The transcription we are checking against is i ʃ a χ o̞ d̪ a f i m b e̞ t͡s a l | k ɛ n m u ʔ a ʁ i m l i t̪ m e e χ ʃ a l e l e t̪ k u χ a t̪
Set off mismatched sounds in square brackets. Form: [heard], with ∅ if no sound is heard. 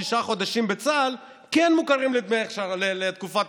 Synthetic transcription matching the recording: i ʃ a χ o̞ d̪ a [ʃ] i m b e̞ t͡s a l | k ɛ n m u [k] a ʁ i m l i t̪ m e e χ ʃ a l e l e t̪ k u [f] a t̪